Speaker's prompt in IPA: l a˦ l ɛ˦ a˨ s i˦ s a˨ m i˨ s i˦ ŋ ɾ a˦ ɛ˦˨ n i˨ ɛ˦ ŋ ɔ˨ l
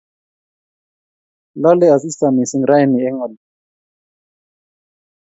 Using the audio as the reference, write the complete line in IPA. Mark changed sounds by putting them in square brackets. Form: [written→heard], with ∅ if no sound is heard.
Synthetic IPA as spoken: l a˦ l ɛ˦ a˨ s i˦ s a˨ m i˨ s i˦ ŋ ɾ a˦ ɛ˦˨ n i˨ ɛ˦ ŋ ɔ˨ l